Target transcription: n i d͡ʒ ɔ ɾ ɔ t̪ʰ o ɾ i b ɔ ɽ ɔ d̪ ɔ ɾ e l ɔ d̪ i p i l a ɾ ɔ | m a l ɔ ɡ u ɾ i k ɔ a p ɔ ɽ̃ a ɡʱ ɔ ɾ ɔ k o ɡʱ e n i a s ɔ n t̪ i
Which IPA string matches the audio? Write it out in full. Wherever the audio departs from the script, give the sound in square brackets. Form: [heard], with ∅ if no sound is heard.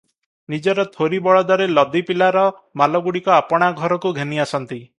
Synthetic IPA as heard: n i d͡ʒ ɔ ɾ ɔ t̪ʰ o ɾ i b ɔ [ɭ] ɔ d̪ ɔ ɾ e l ɔ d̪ i p i l a ɾ ɔ | m a l ɔ ɡ u [ɽ] i k ɔ a p ɔ ɽ̃ a ɡʱ ɔ ɾ ɔ k [u] ɡʱ e n i a s ɔ n t̪ i